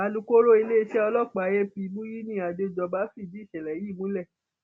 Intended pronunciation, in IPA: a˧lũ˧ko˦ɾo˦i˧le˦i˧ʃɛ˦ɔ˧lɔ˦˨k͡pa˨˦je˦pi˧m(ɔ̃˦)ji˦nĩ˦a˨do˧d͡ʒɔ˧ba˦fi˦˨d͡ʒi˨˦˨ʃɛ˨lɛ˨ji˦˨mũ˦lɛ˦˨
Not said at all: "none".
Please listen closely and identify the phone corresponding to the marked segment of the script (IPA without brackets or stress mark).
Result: ũ˦